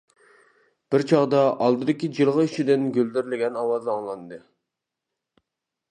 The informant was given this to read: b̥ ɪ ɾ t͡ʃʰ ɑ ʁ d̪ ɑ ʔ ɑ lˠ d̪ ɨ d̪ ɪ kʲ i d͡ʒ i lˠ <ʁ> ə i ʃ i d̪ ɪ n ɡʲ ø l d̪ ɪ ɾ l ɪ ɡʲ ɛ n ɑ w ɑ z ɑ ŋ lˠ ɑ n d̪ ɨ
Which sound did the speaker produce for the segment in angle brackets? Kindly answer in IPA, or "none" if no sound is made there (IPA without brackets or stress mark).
ʁ